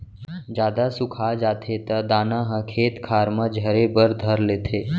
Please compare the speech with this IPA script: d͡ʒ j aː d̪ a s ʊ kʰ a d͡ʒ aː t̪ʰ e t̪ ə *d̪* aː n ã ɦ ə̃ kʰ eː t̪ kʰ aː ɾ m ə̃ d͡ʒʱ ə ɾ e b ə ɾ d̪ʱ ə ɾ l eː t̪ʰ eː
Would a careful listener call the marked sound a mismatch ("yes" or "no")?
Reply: no